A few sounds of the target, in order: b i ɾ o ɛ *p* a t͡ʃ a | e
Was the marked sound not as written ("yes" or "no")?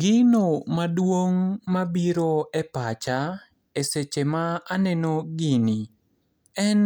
no